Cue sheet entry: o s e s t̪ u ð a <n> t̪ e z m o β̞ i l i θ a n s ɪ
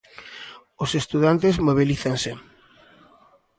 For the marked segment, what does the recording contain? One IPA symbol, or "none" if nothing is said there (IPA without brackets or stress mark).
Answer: n